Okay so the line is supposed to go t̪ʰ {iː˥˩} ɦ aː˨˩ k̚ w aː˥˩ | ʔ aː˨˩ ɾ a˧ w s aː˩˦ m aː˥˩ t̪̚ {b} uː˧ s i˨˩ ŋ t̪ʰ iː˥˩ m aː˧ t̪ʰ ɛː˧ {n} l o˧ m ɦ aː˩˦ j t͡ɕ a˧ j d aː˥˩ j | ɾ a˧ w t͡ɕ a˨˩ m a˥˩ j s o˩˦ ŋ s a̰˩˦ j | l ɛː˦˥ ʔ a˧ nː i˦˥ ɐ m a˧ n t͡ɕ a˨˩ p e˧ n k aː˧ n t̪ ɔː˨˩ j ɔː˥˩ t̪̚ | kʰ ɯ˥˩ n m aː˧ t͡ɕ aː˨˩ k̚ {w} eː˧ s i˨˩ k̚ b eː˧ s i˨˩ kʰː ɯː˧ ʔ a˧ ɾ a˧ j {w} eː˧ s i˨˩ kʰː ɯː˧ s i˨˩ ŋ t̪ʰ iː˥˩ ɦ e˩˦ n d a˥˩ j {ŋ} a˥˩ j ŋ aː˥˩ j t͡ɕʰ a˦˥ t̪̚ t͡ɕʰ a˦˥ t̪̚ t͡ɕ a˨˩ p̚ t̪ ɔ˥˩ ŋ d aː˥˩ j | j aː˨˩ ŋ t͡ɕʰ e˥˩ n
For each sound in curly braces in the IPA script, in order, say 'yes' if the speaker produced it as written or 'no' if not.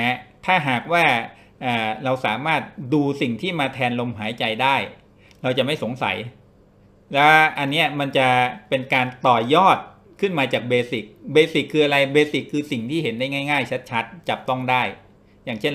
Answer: no, no, yes, no, no, yes

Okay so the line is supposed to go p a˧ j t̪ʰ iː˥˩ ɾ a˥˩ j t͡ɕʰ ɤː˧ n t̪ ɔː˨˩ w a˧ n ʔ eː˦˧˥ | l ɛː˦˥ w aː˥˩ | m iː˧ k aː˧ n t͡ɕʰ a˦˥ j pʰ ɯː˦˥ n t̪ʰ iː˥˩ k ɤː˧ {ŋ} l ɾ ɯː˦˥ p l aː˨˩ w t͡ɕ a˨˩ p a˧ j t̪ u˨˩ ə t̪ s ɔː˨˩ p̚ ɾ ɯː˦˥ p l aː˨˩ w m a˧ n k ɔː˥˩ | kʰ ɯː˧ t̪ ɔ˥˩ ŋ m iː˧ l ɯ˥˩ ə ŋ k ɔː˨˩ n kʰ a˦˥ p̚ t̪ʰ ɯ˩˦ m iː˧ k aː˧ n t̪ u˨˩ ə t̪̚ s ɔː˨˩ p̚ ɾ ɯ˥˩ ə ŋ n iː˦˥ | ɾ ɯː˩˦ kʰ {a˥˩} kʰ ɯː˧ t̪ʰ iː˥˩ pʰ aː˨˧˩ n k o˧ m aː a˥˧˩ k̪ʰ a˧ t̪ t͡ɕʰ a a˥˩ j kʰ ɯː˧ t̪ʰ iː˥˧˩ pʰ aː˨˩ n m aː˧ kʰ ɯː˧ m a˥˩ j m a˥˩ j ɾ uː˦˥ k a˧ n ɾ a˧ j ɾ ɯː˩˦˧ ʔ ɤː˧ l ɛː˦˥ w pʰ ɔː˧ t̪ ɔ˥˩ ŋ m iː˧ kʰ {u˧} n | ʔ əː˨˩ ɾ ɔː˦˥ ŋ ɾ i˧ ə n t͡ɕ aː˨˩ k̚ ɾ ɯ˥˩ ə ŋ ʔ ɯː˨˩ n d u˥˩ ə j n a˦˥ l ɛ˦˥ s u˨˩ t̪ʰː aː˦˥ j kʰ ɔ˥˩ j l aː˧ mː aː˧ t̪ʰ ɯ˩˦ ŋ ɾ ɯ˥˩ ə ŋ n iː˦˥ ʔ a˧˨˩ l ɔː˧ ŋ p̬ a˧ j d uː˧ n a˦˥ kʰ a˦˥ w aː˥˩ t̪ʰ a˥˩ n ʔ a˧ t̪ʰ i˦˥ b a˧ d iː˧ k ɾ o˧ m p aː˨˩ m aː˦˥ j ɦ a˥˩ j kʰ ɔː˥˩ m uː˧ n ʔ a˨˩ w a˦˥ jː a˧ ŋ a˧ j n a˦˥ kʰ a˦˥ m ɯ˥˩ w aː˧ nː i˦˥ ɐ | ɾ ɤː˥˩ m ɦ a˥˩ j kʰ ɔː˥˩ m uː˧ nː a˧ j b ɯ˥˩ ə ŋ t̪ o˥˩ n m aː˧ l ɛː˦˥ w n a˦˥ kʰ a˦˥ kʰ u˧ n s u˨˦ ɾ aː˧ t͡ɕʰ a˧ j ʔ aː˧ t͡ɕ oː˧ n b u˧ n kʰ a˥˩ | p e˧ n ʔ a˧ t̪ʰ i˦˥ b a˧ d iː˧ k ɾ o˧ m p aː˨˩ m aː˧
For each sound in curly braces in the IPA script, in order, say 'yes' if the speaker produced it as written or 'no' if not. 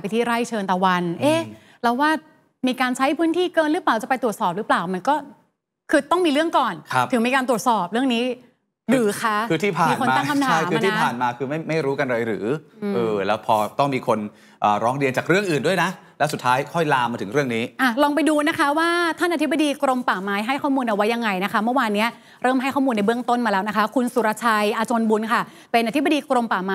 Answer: no, no, no

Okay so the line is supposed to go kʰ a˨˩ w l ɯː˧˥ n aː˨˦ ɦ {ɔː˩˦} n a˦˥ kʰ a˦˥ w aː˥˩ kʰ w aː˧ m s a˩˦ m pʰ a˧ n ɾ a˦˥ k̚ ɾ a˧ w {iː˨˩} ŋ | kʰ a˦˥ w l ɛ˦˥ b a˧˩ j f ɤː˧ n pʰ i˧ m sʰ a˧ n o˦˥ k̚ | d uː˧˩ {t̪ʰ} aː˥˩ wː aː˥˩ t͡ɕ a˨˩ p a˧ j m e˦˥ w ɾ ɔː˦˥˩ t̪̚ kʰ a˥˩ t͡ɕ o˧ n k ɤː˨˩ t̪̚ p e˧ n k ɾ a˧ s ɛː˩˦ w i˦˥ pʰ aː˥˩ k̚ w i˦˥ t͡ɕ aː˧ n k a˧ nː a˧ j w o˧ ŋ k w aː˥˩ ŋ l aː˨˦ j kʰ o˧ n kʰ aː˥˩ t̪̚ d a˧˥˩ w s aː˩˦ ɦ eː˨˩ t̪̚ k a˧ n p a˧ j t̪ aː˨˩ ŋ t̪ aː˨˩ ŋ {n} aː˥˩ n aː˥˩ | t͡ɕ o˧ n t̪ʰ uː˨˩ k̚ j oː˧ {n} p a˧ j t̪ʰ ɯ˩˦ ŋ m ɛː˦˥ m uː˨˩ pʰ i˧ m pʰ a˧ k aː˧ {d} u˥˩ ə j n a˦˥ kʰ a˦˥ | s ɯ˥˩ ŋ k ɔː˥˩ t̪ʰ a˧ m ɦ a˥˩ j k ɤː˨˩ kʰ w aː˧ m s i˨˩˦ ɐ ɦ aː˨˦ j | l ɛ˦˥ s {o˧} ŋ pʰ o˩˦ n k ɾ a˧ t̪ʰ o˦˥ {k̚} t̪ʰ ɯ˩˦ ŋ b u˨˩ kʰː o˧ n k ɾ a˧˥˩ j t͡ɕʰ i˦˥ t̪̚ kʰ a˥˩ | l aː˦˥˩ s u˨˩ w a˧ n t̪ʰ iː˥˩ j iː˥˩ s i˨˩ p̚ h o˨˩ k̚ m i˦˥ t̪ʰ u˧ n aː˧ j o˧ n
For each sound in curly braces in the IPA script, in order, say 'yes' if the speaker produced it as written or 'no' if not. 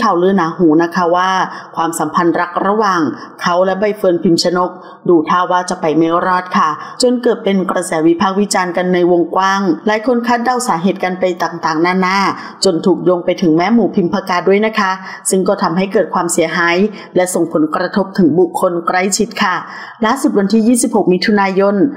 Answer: no, no, yes, yes, no, yes, no, no

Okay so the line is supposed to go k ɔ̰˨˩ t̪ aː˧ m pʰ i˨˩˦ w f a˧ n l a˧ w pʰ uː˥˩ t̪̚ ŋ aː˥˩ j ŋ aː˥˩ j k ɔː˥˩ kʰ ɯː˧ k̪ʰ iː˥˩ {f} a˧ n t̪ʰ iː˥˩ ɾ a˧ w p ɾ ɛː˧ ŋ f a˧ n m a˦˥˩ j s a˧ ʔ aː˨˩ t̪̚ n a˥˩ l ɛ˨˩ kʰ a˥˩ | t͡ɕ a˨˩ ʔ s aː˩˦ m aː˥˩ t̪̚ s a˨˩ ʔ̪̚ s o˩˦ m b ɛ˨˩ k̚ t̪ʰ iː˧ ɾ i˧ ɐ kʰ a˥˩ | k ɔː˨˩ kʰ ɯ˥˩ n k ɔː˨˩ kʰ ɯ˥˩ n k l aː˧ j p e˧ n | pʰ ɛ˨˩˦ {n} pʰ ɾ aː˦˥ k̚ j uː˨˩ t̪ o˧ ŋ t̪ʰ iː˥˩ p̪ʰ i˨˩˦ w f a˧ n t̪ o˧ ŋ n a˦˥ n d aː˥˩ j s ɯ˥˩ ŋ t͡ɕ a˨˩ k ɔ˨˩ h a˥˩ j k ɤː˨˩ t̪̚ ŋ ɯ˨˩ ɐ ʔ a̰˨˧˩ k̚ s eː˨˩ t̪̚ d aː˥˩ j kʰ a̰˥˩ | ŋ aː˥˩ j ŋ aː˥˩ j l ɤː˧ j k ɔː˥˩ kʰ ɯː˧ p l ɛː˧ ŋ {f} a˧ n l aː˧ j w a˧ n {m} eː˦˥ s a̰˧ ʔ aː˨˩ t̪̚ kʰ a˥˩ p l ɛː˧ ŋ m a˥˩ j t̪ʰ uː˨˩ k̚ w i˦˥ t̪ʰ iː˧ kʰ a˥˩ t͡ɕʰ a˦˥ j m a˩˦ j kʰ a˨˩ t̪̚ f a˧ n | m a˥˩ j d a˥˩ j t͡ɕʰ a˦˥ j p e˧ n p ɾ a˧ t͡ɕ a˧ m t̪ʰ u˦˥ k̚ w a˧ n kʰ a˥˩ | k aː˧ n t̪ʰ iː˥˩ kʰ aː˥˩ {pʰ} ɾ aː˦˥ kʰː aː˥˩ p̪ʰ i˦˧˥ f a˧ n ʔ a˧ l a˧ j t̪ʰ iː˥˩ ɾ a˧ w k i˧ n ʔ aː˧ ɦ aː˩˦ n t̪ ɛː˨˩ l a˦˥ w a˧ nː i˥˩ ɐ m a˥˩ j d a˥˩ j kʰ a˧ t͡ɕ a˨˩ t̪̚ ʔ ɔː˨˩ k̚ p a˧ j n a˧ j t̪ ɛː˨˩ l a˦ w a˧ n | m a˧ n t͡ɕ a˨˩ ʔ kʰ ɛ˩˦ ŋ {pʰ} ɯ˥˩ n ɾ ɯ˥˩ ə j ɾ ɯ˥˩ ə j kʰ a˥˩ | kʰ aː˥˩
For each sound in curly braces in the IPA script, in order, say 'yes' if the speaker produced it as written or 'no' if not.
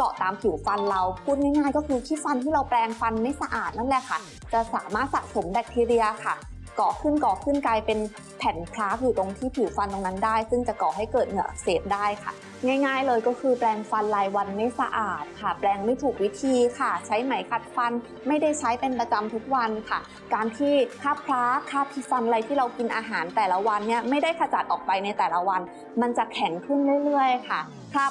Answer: yes, yes, yes, yes, yes, no

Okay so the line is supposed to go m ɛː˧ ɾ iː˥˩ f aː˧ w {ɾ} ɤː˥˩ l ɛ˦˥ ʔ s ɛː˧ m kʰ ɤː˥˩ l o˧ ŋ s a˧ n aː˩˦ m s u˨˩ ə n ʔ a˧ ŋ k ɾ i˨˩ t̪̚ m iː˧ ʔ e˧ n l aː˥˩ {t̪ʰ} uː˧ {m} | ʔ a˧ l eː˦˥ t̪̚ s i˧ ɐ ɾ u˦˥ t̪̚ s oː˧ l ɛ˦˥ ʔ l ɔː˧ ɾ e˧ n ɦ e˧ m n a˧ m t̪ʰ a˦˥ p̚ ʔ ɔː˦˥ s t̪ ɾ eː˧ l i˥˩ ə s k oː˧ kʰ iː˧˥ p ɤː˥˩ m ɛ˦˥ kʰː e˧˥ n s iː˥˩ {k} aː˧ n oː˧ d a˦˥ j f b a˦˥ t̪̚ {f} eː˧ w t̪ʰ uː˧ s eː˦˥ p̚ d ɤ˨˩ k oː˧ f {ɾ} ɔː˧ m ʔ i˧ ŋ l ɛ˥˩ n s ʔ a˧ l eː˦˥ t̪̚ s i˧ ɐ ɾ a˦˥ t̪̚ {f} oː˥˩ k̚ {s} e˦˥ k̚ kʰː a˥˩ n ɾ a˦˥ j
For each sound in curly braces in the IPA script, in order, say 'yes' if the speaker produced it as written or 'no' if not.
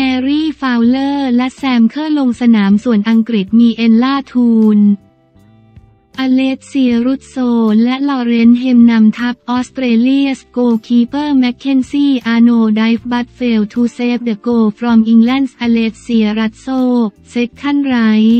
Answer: no, yes, no, no, yes, yes, no, yes

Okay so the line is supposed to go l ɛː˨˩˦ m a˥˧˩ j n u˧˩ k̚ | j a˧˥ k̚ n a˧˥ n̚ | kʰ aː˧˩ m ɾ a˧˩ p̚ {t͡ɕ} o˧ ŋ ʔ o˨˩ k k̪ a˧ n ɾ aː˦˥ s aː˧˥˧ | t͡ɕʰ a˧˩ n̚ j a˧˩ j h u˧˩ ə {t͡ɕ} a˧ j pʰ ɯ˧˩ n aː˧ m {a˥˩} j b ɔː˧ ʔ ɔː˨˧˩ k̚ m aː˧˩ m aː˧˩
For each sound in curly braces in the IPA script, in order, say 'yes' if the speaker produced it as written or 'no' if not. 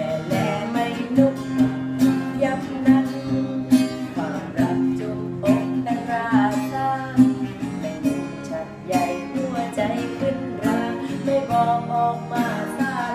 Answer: yes, yes, yes

